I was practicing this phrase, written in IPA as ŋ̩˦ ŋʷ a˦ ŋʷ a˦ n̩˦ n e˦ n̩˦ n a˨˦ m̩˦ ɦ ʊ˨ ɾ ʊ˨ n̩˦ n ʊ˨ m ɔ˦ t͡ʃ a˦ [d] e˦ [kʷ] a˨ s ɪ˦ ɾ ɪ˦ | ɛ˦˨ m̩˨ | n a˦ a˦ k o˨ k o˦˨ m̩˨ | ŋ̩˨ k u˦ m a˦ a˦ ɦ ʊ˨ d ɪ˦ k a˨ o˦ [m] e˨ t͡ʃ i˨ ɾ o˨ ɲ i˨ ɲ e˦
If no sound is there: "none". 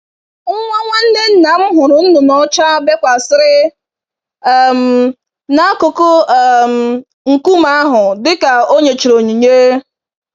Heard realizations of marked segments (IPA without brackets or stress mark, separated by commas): b, kʷ, ɲ